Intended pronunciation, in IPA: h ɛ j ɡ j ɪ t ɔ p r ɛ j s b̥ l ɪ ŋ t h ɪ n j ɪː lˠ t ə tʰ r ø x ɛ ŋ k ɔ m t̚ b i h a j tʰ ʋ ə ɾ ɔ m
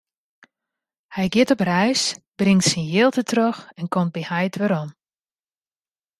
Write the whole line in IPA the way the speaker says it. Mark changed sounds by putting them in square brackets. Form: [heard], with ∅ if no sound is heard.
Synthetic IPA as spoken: h ɛ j ɡ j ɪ t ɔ p r ɛ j s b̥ [r] ɪ ŋ t [s] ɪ n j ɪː lˠ t ə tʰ r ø x ɛ [n] k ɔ m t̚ b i h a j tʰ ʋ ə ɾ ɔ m